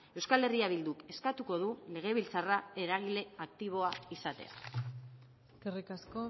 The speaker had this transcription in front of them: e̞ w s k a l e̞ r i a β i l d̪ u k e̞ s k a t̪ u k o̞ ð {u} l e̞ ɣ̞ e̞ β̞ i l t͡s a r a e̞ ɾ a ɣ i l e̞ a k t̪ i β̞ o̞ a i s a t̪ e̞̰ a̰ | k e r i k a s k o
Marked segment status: correct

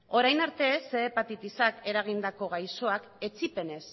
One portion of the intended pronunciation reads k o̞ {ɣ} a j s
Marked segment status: correct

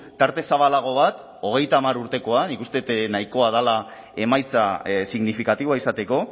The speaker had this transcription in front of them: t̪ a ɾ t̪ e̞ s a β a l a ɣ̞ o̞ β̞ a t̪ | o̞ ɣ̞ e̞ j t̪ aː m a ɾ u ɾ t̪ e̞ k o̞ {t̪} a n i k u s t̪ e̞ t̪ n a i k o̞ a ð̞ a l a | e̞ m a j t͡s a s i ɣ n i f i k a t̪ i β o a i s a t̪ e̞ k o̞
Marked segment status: incorrect: none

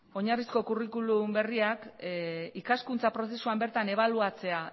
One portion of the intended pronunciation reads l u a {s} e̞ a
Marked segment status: incorrect: t͡s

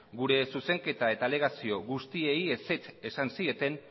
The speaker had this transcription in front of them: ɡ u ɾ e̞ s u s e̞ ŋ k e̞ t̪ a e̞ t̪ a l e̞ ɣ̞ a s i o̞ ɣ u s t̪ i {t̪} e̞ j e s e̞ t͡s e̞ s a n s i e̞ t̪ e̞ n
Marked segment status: incorrect: none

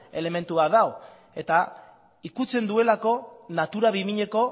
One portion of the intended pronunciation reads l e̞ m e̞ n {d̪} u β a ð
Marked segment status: incorrect: t̪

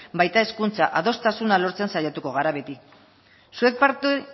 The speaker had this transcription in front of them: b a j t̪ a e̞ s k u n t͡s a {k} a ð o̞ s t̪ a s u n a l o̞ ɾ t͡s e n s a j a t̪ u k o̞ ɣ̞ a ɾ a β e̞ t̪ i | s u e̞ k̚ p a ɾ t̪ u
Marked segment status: incorrect: ʔ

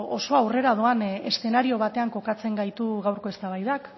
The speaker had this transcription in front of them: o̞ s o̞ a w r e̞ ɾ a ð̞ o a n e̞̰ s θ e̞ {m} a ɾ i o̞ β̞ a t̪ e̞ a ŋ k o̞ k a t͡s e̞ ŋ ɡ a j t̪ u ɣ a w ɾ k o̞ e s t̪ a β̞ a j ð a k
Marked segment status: incorrect: n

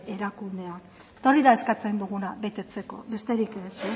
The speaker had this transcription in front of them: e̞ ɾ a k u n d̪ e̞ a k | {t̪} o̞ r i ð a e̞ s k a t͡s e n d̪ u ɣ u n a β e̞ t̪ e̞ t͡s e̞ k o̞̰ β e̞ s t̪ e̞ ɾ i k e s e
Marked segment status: correct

